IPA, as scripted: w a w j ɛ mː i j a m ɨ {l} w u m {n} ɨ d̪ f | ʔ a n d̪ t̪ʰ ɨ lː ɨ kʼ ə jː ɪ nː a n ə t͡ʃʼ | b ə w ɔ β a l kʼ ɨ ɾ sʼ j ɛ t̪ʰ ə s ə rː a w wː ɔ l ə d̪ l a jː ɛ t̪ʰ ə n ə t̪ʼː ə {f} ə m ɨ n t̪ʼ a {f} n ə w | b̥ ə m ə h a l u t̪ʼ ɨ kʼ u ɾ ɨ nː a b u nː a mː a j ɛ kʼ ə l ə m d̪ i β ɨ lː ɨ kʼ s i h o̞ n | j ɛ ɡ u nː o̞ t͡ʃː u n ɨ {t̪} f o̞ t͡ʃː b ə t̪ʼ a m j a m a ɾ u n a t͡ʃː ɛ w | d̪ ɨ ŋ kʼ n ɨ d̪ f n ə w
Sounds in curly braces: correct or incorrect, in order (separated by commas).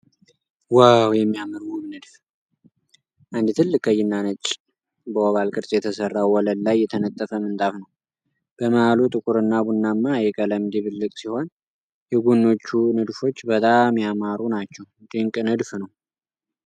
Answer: incorrect, correct, correct, correct, incorrect